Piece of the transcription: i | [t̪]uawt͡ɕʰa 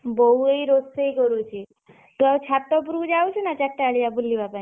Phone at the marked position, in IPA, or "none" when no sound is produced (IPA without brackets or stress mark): t̪